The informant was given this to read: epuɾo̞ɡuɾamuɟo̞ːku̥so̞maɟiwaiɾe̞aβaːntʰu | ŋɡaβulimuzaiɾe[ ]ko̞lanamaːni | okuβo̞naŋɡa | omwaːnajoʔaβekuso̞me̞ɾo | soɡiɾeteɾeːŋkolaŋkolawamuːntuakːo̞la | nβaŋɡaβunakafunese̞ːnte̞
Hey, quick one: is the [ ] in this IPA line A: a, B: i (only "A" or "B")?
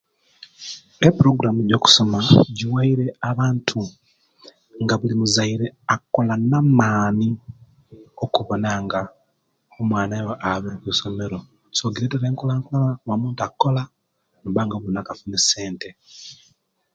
A